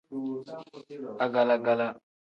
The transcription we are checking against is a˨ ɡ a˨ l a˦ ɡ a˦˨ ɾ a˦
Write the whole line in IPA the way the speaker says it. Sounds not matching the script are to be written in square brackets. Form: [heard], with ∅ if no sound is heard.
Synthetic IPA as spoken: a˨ ɡ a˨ l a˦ ɡ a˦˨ [l] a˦